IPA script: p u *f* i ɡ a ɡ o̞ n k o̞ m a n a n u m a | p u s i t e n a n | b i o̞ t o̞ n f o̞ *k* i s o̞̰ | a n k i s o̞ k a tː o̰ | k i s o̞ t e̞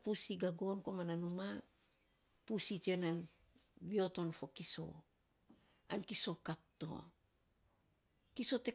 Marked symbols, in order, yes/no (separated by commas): no, yes